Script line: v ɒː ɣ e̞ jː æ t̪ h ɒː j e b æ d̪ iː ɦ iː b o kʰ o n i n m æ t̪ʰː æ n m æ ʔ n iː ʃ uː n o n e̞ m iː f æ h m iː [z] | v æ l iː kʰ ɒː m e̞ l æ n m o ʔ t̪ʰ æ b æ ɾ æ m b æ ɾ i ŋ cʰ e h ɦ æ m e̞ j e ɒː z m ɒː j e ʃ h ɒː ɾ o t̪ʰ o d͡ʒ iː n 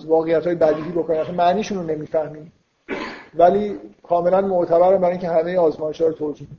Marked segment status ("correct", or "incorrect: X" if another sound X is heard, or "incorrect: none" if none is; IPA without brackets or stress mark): incorrect: none